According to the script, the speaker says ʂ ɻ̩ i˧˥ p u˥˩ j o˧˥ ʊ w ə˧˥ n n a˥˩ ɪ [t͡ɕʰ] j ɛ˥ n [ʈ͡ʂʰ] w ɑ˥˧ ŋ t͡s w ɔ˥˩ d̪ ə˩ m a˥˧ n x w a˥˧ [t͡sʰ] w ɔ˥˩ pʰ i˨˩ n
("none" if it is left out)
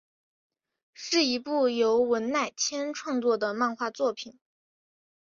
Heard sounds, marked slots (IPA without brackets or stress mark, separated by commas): t͡ɕʰ, ʈ͡ʂʰ, t͡s